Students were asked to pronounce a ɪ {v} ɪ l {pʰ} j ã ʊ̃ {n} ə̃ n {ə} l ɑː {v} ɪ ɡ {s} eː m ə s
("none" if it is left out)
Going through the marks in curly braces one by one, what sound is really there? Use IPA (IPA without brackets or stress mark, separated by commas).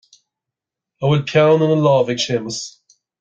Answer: w, pʰ, n, ə, v, ʃ